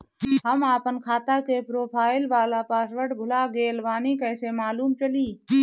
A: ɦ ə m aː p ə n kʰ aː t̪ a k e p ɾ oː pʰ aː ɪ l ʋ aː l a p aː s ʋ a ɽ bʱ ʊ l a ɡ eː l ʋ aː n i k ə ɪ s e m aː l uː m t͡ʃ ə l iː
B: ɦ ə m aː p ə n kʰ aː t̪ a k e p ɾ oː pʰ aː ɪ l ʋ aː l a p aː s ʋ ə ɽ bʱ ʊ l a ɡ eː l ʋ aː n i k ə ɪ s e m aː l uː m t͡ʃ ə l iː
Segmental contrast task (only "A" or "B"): B